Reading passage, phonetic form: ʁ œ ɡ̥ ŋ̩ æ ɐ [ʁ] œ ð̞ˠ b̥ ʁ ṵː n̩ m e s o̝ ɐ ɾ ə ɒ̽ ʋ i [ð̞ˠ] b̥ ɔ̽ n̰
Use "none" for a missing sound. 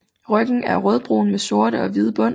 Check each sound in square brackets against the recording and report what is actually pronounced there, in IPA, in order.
ʁ, ð̞ˠ

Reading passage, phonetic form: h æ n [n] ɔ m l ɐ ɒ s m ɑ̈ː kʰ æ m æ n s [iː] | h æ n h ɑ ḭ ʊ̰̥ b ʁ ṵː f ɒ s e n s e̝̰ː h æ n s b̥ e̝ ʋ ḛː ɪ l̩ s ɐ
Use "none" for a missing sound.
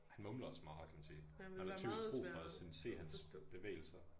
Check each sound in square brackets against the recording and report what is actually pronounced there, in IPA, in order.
m, iː

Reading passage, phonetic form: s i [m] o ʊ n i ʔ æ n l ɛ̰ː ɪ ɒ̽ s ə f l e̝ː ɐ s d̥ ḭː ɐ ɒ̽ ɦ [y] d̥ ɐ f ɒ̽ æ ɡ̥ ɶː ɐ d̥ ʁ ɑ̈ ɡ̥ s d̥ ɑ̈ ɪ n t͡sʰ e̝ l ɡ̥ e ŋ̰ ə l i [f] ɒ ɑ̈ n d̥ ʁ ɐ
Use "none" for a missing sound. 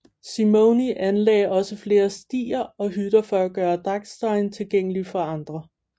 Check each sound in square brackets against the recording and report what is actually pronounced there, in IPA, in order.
m, y, f

